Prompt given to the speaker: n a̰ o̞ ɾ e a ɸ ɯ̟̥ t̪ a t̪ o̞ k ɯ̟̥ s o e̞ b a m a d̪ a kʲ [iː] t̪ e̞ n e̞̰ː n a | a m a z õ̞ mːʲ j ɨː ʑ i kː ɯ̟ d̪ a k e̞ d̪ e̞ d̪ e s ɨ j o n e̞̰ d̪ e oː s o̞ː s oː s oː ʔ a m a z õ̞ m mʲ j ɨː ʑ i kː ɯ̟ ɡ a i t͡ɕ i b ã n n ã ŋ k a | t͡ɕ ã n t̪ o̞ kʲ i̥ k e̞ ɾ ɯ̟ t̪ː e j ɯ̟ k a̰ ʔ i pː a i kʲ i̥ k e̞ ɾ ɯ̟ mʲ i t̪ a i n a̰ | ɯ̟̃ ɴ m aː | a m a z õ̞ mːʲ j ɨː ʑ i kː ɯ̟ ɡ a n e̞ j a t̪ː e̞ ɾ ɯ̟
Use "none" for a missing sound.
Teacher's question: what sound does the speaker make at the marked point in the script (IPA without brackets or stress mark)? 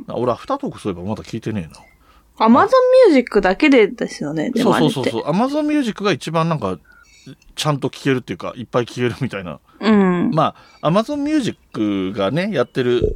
iː